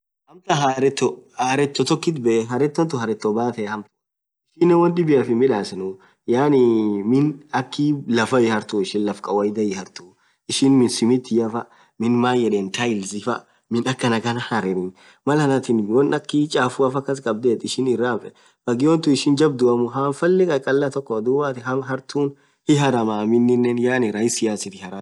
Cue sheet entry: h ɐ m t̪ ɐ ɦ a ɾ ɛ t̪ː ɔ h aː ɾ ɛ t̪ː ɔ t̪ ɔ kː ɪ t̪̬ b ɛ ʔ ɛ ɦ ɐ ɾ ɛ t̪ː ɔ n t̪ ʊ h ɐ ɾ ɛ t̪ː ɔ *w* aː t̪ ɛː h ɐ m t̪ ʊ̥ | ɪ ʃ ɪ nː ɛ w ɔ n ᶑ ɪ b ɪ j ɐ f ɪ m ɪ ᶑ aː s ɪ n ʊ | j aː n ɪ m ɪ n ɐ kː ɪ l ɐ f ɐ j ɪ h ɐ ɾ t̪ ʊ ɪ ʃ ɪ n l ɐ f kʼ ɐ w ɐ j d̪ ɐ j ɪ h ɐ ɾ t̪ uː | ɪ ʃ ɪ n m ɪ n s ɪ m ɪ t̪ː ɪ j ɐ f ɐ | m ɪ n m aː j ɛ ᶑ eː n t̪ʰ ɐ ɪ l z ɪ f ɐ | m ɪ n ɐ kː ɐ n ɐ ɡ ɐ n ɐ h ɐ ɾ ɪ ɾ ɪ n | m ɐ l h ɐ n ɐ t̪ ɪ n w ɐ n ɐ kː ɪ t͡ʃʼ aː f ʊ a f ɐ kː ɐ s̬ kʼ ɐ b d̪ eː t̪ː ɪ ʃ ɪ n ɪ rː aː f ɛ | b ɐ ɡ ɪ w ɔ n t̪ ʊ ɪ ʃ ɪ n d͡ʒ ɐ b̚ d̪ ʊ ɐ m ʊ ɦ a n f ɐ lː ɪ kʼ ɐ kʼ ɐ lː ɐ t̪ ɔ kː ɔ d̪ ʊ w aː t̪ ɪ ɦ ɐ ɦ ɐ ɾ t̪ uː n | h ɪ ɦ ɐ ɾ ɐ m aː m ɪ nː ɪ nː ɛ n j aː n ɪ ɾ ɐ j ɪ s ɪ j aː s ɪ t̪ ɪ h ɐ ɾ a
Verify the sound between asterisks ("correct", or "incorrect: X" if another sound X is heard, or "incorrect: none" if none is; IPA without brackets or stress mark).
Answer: incorrect: b